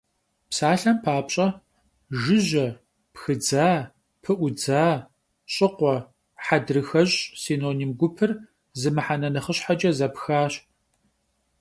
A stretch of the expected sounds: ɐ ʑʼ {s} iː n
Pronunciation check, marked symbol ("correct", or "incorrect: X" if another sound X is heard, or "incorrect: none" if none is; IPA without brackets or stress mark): correct